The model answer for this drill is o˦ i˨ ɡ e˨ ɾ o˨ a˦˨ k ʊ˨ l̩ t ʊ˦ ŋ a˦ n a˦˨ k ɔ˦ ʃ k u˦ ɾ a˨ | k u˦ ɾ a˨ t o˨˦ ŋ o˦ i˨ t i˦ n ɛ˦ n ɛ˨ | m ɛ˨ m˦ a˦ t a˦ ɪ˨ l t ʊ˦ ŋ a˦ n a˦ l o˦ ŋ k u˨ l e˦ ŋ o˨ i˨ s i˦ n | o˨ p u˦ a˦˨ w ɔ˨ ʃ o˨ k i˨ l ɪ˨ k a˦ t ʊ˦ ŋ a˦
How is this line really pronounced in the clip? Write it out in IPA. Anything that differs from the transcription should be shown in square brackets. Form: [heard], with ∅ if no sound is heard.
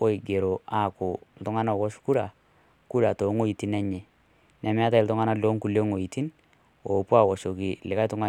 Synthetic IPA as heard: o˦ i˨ ɡ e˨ ɾ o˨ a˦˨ k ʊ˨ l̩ t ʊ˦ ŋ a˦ n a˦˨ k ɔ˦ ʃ k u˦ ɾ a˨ | k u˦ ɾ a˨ t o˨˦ ŋ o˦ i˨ t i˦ n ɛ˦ [ɲ] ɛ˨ | [n] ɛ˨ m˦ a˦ t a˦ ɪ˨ l t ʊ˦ ŋ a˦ n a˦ l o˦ ŋ k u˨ l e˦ ŋ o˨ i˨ [t] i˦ n | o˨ p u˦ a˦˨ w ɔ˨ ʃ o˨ k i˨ l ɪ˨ k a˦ t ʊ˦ ŋ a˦

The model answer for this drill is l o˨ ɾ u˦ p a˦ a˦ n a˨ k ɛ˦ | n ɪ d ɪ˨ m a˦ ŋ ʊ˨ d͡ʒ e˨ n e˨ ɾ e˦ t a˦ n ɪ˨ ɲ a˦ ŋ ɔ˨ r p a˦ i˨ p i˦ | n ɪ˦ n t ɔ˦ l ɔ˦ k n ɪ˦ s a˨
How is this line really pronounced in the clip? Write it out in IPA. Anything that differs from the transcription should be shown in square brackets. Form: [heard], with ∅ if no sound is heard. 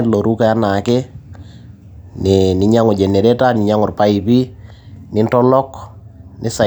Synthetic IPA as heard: l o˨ ɾ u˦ [k] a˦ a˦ n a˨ k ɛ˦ | n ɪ [n] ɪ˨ [ɲ] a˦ ŋ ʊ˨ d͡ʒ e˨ n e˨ ɾ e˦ t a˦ n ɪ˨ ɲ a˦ ŋ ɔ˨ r p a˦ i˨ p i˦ | n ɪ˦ n t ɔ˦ l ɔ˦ k n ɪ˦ s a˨

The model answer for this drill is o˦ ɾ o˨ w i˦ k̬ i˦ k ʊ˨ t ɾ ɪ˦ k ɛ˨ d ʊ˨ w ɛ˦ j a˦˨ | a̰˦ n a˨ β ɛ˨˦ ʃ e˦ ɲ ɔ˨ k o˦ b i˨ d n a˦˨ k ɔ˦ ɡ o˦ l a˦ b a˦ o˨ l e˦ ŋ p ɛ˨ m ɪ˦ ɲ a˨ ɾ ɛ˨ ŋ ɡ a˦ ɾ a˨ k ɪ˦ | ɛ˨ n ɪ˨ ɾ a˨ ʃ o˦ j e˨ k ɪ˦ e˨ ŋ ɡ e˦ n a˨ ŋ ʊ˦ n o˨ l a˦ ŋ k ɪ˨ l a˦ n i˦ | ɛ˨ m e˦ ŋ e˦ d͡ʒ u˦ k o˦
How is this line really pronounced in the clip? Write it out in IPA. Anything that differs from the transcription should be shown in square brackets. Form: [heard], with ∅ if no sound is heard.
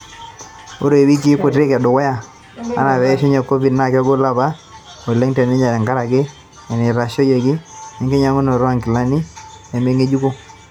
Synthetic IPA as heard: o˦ ɾ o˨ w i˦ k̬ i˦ k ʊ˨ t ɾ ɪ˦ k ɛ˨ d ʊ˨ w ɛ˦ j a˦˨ | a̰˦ n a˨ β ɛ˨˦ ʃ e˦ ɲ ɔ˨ k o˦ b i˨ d n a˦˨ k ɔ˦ ɡ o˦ l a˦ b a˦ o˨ l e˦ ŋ [t] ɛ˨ [n] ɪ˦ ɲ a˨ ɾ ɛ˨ ŋ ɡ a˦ ɾ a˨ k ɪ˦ | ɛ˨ n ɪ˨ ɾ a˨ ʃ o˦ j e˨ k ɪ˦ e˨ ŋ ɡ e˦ [ɲ] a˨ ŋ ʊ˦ n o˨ [ɾ] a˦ ŋ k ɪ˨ l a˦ n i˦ | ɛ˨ m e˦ ŋ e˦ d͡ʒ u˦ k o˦

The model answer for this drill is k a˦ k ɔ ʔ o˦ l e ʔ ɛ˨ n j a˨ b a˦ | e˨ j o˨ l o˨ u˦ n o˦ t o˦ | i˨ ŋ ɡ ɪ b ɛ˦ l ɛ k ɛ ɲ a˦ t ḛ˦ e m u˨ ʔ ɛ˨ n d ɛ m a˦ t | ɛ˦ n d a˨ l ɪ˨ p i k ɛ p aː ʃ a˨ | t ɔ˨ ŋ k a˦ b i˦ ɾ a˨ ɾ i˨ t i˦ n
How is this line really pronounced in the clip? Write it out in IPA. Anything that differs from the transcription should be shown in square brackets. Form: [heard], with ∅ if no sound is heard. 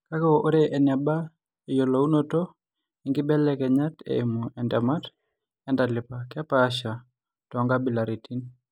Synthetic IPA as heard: k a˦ k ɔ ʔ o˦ [ɾ] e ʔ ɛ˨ n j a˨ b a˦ | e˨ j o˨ l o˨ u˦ n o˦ t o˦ | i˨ ŋ ɡ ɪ b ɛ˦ l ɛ k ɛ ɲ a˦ t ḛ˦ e m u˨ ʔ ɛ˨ n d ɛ m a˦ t | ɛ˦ n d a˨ l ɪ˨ p [a] k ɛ p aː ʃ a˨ | t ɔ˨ ŋ [ɡ] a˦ b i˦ [l] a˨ ɾ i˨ t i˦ n

